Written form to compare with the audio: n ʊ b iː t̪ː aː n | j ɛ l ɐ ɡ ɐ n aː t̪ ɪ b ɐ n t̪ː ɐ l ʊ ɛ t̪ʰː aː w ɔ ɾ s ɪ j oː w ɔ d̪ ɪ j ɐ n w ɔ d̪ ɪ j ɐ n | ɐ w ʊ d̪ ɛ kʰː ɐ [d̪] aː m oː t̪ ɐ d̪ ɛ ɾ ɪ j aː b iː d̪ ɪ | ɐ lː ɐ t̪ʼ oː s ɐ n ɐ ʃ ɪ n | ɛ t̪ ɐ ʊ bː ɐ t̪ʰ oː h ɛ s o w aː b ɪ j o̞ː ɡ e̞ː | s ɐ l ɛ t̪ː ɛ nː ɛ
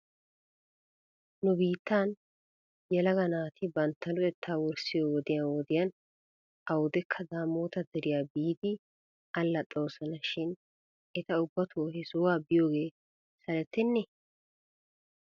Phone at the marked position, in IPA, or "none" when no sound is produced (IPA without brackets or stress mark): d̪